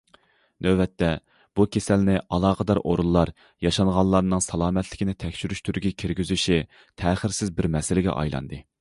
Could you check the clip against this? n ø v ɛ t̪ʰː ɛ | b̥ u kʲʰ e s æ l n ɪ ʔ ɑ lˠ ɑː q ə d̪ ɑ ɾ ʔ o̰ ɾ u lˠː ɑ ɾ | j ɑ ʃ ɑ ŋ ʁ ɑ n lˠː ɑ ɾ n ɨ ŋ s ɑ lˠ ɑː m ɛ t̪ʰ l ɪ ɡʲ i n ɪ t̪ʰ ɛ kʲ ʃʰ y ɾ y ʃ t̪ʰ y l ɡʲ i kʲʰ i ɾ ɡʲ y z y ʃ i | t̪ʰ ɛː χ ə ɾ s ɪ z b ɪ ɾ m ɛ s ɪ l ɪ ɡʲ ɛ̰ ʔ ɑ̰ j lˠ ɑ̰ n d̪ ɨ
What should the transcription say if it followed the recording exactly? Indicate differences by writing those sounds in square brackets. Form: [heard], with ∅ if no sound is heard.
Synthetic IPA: n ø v ɛ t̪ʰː ɛ | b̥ u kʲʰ e s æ l n ɪ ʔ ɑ lˠ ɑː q ə d̪ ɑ ɾ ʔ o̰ ɾ u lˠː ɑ ɾ | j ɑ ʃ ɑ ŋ ʁ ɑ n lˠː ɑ ɾ n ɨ ŋ s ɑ lˠ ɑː m ɛ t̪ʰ l ɪ [kʲ] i n ɪ t̪ʰ ɛ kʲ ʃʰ y ɾ y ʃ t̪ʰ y [ɾ] ɡʲ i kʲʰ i ɾ ɡʲ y z y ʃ i | t̪ʰ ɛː χ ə ɾ s ɪ z b ɪ ɾ m ɛ s ɪ l ɪ ɡʲ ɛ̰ ʔ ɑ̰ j lˠ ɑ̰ n d̪ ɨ